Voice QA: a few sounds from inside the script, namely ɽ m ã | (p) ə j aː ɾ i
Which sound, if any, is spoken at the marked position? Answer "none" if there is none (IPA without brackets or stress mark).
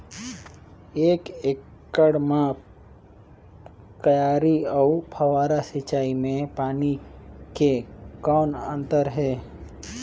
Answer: k